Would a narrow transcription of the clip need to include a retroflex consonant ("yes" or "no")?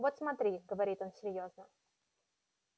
no